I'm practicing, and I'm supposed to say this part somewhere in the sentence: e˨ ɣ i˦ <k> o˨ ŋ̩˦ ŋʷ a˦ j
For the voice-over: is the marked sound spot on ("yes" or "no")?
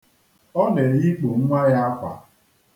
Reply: no